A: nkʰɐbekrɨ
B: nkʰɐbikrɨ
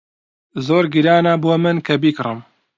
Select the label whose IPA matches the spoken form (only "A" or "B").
B